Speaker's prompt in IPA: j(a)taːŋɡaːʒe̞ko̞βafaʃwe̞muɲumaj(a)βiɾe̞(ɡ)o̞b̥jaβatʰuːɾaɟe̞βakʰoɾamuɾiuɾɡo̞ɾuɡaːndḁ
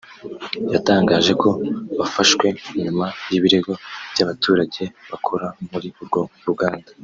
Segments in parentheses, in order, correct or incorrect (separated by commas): correct, incorrect, correct